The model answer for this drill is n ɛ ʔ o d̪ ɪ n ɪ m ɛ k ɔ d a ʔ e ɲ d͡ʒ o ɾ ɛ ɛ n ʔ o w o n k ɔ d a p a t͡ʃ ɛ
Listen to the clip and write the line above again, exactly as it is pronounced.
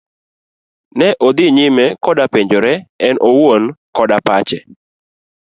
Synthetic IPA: n ɛ ʔ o d̪ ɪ ɲ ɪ m ɛ k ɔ d a p e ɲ d͡ʒ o ɾ ɛ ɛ n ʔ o w o n k ɔ d a p a t͡ʃ ɛ